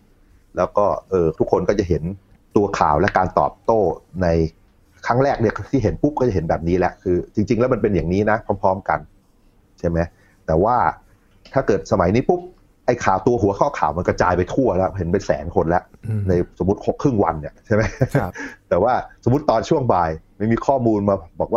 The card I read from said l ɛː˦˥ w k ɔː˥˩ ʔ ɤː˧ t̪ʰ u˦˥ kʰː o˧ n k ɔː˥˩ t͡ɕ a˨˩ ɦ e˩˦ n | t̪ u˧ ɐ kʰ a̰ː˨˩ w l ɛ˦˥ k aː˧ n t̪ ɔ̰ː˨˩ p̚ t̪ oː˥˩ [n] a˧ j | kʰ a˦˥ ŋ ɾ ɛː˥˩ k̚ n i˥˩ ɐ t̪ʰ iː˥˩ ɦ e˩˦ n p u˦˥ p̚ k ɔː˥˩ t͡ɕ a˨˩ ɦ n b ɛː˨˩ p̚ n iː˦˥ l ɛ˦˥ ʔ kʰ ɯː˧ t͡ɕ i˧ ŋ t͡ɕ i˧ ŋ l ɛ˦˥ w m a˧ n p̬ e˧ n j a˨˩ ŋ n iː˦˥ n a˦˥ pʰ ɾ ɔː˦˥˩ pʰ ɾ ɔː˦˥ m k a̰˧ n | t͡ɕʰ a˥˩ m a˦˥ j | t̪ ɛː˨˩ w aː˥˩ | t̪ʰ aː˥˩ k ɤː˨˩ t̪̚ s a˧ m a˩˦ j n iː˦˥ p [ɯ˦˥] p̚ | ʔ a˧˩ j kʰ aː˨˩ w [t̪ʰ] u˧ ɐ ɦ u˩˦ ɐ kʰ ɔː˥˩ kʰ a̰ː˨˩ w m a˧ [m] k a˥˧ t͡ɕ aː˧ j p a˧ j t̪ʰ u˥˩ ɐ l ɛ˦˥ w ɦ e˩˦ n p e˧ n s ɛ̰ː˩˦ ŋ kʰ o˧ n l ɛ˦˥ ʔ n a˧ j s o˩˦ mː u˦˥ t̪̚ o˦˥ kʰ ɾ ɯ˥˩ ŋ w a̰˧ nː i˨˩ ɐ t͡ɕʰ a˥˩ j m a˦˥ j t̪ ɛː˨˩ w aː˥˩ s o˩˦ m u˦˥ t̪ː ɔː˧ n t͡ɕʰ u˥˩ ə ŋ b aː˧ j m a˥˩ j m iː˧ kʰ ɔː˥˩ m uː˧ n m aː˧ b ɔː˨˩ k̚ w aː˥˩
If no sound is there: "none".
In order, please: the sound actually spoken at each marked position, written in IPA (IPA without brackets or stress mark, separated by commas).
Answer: n, u˦˥, t̪, n